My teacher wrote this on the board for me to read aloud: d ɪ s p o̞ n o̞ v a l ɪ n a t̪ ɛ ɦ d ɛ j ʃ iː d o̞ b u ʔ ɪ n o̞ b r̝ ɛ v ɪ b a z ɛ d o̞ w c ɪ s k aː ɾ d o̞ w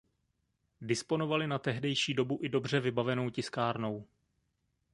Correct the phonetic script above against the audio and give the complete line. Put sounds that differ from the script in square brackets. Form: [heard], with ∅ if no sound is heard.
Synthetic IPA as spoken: d ɪ s p o̞ n o̞ v a l ɪ n a t̪ ɛ ɦ d ɛ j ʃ iː d o̞ b u ʔ ɪ [d] o̞ b r̝ ɛ v ɪ b a [v] ɛ [n] o̞ w c ɪ s k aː ɾ [n] o̞ w